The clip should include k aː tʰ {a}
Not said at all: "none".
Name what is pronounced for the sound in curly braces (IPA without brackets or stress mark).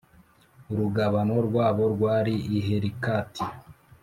i